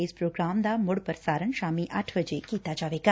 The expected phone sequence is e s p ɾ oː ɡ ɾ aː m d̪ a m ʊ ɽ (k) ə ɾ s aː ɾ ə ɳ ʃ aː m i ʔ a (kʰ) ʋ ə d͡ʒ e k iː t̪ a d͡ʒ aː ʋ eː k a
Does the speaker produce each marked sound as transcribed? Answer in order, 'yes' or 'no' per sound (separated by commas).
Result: no, no